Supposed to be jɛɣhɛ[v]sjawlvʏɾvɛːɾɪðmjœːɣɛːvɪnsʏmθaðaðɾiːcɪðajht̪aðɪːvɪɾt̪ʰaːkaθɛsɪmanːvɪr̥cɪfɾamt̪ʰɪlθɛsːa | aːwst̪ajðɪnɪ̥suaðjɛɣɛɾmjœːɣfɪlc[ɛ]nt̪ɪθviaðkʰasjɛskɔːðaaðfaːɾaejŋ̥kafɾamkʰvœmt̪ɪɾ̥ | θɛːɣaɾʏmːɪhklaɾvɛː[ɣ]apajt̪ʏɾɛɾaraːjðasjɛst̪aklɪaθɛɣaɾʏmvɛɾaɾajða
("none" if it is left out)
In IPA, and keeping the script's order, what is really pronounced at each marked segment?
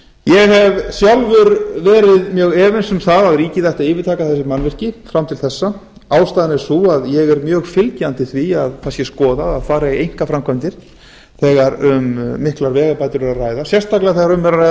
v, a, ɣ

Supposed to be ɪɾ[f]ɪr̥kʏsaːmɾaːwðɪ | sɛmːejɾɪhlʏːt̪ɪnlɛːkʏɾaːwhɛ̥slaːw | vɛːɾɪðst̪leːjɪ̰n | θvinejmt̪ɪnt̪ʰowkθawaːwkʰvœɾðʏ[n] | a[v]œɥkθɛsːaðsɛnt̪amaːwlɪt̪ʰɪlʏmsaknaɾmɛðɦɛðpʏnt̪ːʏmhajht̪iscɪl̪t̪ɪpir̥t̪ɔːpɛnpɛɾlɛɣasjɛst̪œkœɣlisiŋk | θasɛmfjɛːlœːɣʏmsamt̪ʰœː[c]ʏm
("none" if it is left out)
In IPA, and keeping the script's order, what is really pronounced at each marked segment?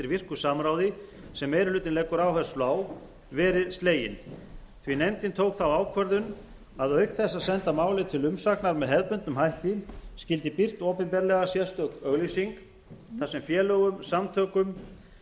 v, n, ð, k

